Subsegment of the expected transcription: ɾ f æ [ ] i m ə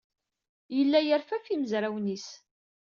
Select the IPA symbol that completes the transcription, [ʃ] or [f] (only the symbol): f